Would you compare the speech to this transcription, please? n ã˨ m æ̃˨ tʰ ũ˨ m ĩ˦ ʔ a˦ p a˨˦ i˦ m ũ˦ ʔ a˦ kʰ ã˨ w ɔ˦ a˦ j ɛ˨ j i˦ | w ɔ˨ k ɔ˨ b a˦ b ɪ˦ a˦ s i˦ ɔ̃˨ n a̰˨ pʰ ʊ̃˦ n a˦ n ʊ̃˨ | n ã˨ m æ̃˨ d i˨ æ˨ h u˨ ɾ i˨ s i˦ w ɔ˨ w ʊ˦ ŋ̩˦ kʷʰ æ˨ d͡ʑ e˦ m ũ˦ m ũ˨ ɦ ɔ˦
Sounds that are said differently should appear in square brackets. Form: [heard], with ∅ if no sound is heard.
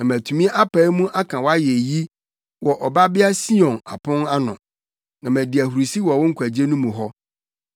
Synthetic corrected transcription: n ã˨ m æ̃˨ tʰ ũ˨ m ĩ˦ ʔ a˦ p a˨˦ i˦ m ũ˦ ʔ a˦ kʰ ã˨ w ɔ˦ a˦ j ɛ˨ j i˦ | w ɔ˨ [ʔ] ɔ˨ b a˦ b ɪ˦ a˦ s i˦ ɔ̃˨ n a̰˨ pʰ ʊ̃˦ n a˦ n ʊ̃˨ | n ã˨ m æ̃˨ d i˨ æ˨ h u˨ ɾ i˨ s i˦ w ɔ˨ w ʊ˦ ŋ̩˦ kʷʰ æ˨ d͡ʑ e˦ [n] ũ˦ m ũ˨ ɦ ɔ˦